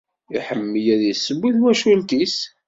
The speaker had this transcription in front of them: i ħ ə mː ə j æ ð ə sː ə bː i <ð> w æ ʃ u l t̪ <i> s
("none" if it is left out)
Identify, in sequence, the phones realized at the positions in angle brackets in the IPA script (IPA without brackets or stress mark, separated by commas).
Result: ð, i